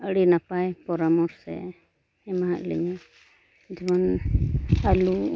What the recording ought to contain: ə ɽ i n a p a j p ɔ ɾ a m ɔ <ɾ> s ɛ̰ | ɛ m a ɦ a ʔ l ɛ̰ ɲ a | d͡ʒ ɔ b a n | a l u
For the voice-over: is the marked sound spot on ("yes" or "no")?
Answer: yes